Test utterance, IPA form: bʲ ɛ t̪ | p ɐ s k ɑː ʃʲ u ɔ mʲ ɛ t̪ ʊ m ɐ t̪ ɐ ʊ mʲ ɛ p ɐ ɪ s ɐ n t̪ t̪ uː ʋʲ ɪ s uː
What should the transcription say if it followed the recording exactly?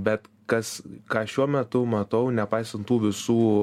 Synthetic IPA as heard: bʲ ɛ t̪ | k ɐ s k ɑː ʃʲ u ɔ mʲ ɛ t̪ ʊ m ɐ t̪ ɐ ʊ nʲ ɛ p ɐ ɪ s ɐ n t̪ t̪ uː ʋʲ ɪ s uː